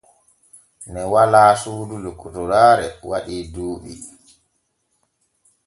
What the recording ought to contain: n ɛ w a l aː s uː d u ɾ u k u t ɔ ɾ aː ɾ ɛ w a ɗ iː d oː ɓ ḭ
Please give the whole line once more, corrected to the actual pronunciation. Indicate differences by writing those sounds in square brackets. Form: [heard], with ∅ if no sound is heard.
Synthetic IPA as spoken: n ɛ w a l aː s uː d u [l] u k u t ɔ ɾ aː ɾ ɛ w a ɗ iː d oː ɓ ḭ